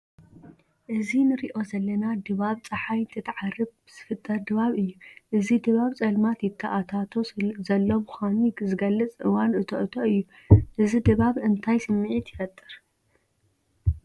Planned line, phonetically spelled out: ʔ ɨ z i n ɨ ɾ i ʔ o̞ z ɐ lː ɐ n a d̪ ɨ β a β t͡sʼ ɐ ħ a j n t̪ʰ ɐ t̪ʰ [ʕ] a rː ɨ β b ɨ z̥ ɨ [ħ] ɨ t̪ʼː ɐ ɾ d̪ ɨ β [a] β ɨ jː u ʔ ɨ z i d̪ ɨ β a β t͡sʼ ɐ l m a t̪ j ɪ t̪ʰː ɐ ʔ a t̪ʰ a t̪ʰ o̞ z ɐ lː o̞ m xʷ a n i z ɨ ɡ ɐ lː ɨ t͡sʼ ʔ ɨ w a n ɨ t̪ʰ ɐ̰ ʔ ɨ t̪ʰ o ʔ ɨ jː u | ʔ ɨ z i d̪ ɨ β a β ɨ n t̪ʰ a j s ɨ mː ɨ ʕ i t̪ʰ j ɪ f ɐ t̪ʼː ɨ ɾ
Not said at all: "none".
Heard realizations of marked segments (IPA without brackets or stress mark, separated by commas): ʕ, f, a